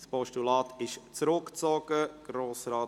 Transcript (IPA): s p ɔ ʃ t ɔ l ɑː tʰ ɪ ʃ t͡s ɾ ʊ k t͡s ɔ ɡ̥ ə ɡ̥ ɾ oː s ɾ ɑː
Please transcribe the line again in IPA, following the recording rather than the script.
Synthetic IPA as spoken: s p ɔ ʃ t u l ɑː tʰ ɪ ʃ t͡s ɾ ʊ k t͡s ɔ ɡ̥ ə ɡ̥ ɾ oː s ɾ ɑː